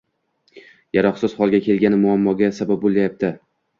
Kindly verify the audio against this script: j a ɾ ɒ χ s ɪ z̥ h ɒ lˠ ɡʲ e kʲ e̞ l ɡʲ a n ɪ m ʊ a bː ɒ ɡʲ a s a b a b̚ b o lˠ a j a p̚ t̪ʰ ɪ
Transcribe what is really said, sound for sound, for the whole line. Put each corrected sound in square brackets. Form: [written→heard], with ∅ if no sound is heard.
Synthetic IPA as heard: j a ɾ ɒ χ s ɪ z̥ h ɒ lˠ ɡʲ [e→a] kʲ e̞ l ɡʲ a n ɪ m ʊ a [bː→mː] ɒ ɡʲ a s a b a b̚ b o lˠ a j a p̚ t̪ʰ ɪ